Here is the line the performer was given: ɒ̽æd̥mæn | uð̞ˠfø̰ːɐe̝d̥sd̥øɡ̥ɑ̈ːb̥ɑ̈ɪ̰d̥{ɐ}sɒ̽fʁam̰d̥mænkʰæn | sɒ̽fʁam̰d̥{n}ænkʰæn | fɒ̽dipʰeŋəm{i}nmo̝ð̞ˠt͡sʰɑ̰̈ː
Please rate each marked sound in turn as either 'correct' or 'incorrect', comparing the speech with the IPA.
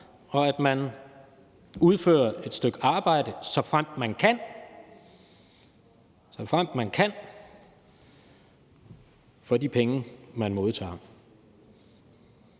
incorrect: ə, incorrect: m, incorrect: æ

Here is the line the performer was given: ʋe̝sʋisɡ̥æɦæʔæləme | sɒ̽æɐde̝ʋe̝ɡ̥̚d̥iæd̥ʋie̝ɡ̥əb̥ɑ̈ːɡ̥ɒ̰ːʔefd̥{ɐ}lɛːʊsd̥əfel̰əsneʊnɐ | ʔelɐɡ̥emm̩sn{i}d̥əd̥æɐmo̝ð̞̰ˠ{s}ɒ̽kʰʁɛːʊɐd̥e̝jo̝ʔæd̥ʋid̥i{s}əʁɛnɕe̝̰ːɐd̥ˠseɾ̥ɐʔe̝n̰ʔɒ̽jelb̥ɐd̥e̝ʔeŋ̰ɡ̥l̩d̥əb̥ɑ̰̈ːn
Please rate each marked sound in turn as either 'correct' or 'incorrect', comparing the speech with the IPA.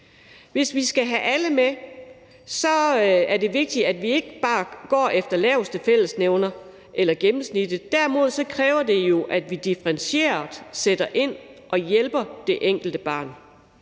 correct, correct, correct, incorrect: f

